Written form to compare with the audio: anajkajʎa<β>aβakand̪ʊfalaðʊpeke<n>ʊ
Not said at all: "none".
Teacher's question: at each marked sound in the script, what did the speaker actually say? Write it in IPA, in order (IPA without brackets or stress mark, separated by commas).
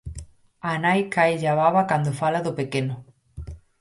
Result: β, n